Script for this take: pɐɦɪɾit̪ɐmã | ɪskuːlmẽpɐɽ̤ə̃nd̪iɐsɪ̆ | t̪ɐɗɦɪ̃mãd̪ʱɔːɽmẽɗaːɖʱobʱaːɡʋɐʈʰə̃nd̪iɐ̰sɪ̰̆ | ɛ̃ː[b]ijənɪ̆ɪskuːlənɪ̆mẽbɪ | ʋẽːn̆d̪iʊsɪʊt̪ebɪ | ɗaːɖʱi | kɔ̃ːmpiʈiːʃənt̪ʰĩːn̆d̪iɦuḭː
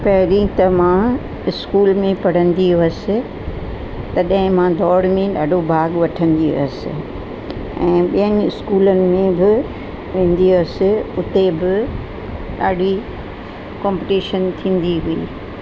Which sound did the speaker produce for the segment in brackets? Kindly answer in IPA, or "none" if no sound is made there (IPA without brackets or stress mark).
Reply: ɓ